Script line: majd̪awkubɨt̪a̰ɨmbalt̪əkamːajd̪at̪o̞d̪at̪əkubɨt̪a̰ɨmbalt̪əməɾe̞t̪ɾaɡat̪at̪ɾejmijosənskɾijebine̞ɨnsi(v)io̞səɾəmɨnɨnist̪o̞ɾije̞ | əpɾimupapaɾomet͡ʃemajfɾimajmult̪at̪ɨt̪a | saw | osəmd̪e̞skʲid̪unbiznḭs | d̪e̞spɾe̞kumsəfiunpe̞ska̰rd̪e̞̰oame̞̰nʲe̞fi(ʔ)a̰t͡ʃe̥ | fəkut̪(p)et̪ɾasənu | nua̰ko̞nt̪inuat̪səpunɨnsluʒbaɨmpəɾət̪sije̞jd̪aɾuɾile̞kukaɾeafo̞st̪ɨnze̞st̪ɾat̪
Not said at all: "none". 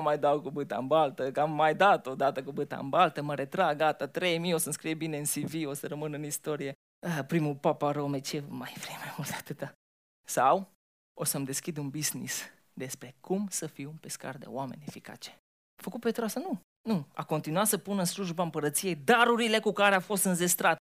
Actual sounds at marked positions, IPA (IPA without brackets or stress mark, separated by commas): v, k, p